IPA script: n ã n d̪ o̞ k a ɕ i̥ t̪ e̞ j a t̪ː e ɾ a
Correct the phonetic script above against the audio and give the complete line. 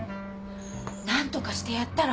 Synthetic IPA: n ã n t̪ o̞ k a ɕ i̥ t̪ e̞ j a t̪ː a ɾ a

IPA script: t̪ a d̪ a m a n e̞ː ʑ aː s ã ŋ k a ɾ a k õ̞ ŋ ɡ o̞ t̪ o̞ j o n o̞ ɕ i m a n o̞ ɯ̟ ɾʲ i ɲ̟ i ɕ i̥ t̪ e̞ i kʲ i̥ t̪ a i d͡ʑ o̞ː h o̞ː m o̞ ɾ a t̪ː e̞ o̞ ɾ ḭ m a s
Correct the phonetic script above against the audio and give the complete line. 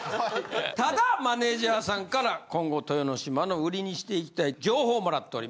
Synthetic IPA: t̪ a d̪ a m a n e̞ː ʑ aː s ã ŋ k a ɾ a k õ̞ ŋ ɡ o̞ t̪ o̞ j o n o̞ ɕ i m a n o̞ ɯ̟ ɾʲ i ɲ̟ i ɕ i̥ t̪ e̞ i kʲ i̥ t̪ a i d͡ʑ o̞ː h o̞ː m o̞ ɾ a t̪ː e̞ o̞ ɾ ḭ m a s

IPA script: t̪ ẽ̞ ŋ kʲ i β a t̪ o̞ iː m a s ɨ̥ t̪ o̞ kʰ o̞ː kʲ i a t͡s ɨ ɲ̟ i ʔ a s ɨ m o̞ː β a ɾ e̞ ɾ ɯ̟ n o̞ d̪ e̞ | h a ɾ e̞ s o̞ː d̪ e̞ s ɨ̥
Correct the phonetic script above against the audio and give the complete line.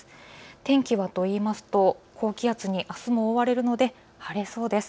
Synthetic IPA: t̪ ẽ̞ ŋ kʲ i β a t̪ o̞ iː m a s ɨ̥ t̪ o̞ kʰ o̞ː kʲ i a t͡s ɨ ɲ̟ i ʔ a s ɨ m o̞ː β a ɾ e̞ ɾ ɯ̟ n o̞ d̪ e̞ | h a ɾ e̞ s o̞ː d̪ e̞ s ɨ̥

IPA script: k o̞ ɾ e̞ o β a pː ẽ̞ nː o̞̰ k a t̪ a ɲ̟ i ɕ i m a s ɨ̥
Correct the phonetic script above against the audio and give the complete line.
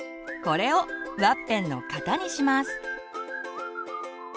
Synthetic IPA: k o̞ ɾ e̞ o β a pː ẽ̞ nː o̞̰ k a t̪ a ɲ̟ i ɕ i m a s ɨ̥

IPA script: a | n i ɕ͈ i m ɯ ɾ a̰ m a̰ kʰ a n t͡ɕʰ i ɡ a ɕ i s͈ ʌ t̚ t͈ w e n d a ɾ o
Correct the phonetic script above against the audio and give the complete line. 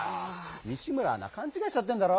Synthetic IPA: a | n i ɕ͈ i m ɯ ɾ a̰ n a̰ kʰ a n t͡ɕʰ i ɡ a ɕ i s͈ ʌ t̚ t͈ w e n d a ɾ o

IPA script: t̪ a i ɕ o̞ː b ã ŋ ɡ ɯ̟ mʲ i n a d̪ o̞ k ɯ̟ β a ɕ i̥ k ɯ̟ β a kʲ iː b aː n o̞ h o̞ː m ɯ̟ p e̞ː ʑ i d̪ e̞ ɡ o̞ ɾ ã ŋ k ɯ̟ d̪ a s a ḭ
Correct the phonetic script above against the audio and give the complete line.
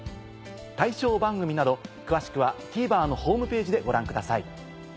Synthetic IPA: t̪ a i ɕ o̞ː b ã ŋ ɡ ɯ̟ mʲ i n a d̪ o̞ k ɯ̟ β a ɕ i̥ k ɯ̟ β a kʲ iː b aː n o̞ h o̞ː m ɯ̟ p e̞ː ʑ i d̪ e̞ ɡ o̞ ɾ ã ŋ k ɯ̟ d̪ a s a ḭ

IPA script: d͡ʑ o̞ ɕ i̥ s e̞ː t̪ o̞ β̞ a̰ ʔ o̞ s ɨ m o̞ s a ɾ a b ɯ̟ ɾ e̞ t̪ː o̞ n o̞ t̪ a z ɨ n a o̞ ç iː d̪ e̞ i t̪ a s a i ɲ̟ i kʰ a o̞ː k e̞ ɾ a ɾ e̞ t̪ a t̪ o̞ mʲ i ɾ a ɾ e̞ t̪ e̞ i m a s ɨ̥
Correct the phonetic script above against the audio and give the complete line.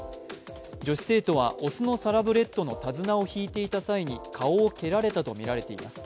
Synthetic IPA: d͡ʑ o̞ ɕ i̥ s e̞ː t̪ o̞ β̞ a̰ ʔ o̞ s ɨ n o̞ s a ɾ a b ɯ̟ ɾ e̞ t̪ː o̞ n o̞ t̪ a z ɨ n a o̞ ç iː t̪ e̞ i t̪ a s a i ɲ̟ i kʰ a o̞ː k e̞ ɾ a ɾ e̞ t̪ a t̪ o̞ mʲ i ɾ a ɾ e̞ t̪ e̞ i m a s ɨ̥

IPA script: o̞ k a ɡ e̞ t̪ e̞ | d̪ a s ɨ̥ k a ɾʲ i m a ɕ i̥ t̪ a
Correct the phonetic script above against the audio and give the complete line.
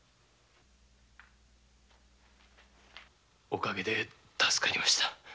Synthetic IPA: o̞ k a ɡ e̞ d̪ e̞ | t̪ a s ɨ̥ k a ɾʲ i m a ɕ i̥ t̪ a

